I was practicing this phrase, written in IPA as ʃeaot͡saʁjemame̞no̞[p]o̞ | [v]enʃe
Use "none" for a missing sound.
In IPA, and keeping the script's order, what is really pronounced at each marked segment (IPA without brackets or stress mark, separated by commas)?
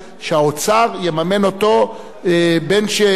t, b